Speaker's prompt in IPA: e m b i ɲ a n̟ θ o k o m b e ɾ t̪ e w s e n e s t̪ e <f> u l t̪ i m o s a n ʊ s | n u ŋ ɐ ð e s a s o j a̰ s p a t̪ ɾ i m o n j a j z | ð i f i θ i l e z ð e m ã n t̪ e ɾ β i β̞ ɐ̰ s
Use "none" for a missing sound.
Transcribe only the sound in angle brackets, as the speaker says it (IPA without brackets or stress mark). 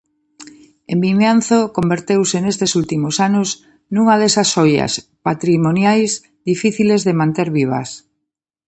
s